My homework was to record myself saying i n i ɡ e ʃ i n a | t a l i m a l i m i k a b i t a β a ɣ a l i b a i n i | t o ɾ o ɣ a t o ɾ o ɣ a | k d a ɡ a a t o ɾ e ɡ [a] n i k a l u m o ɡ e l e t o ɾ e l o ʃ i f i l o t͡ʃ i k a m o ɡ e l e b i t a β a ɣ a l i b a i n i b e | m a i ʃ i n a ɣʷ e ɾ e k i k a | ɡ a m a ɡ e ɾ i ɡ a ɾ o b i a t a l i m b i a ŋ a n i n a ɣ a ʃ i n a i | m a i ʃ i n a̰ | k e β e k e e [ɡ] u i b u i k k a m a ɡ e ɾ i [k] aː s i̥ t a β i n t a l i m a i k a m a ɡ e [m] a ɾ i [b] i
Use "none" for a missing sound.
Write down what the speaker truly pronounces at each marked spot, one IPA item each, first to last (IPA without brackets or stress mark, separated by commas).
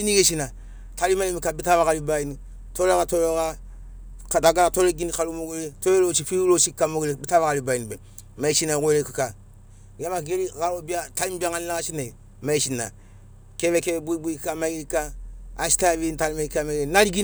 i, b, k, n, ɡ